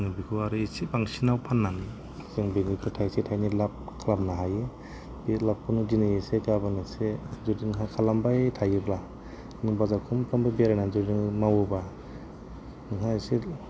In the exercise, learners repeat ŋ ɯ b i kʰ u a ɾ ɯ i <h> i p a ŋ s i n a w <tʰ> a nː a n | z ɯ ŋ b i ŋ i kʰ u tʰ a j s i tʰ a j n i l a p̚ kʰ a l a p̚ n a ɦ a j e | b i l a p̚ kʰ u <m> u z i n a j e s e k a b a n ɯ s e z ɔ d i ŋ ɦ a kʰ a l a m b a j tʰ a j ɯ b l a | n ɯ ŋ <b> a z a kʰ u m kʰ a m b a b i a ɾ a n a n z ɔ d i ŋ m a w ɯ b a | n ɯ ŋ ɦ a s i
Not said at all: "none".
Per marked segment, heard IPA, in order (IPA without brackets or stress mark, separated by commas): s, pʰ, n, b